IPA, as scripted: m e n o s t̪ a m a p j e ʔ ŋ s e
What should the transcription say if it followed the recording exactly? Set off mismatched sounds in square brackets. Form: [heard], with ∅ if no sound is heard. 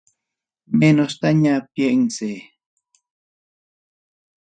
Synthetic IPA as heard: m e n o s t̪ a [ɲ] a p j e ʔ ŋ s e

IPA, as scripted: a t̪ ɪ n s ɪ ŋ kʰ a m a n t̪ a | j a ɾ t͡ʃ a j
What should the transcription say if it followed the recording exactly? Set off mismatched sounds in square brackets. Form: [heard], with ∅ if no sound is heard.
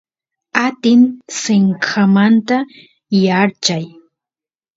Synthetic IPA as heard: a t̪ ɪ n s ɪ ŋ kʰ a m a n t̪ a | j a ɾ t͡ʃ a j

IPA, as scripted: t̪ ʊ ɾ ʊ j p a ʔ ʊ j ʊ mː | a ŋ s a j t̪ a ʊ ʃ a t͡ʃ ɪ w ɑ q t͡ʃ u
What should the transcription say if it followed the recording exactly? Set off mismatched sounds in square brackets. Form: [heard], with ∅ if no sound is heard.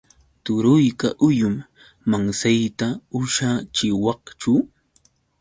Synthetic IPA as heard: t̪ ʊ ɾ ʊ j [k] a ʔ ʊ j ʊ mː | a ŋ s a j t̪ a ʊ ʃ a t͡ʃ ɪ w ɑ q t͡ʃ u

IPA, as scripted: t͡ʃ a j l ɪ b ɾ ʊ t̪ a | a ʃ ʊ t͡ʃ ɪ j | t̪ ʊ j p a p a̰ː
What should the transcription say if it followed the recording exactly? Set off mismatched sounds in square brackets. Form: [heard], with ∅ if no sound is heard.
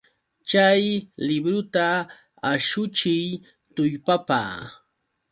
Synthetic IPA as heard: t͡ʃ a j l ɪ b ɾ ʊ t̪ a | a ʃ ʊ t͡ʃ ɪ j | t̪ ʊ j p a p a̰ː

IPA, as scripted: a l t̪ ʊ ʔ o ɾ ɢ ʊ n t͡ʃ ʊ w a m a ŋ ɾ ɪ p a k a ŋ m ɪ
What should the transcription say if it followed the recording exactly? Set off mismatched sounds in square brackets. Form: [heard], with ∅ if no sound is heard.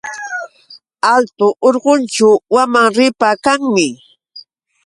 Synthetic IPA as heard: a l t̪ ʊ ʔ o ɾ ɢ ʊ n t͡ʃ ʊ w a m a ŋ ɾ ɪ p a k a ŋ m ɪ

